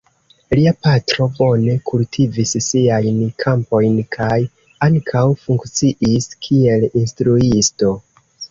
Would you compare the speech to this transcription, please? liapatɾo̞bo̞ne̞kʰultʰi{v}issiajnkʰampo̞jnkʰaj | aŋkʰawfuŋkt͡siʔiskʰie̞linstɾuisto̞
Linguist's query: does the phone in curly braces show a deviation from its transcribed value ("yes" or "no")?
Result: no